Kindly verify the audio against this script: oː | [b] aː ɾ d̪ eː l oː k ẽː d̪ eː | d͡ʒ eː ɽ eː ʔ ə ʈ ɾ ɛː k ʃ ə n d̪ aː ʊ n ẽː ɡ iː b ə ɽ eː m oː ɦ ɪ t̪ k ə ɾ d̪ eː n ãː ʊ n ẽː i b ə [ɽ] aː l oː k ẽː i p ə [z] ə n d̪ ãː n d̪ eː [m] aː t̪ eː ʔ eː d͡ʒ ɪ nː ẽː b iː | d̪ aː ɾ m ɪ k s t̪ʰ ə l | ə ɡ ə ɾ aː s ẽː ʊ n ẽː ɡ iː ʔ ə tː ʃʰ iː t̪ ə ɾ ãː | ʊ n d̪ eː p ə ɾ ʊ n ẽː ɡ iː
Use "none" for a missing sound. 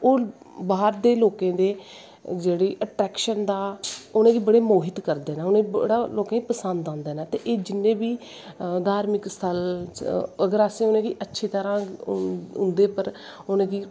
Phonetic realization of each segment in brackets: b, ɽ, s, n

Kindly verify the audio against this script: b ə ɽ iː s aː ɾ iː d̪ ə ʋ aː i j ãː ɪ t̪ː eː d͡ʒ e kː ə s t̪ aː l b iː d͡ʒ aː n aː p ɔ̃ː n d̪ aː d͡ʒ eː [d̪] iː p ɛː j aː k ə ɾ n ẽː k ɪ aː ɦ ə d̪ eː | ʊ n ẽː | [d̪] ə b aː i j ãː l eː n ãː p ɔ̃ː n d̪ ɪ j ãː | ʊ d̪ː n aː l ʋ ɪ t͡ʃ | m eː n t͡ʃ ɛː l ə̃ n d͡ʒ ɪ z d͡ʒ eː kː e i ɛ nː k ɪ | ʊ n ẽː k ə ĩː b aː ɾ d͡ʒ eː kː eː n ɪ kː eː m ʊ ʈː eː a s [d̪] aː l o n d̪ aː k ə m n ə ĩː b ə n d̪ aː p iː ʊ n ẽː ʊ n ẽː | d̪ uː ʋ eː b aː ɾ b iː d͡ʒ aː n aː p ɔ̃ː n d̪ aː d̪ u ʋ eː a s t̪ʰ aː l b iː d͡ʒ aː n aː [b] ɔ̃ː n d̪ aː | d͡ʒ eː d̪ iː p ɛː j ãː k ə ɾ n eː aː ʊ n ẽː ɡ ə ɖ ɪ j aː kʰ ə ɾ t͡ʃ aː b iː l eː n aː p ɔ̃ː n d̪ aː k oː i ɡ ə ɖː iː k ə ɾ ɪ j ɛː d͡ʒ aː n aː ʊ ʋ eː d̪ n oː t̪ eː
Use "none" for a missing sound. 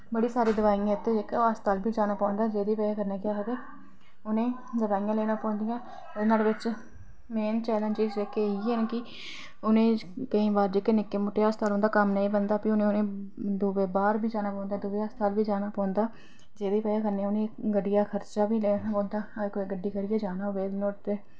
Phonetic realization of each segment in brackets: d̪, d̪, t̪, p

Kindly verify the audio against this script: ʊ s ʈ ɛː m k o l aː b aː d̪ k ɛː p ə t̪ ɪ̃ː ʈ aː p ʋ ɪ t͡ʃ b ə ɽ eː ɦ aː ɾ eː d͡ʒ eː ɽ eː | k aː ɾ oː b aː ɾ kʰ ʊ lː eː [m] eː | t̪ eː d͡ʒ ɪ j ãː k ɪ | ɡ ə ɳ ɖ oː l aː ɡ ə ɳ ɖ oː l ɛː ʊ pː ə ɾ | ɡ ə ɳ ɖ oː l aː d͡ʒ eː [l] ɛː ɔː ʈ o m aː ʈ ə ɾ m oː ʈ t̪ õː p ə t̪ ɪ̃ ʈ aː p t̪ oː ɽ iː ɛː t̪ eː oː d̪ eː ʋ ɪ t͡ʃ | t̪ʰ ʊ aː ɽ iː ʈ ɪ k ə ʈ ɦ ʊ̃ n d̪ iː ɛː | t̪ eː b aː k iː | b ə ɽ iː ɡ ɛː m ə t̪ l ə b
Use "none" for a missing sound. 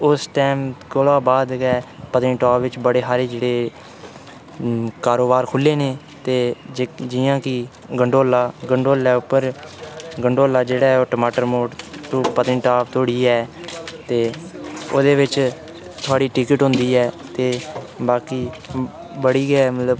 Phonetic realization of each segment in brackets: n, ɽ

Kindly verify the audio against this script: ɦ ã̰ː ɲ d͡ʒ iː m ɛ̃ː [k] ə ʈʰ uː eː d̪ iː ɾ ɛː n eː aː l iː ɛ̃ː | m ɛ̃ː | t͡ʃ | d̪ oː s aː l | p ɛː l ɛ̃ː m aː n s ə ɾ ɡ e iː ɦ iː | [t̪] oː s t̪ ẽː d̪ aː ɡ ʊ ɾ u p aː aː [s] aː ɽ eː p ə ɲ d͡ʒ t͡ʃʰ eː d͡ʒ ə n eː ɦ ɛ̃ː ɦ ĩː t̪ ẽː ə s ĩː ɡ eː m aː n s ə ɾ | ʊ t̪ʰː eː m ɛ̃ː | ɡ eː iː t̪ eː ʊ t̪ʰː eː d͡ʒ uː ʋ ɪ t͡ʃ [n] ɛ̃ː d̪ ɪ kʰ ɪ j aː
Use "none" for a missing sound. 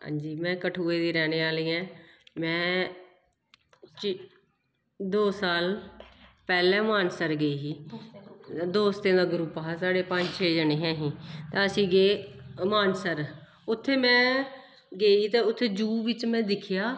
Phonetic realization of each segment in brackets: k, d̪, s, m

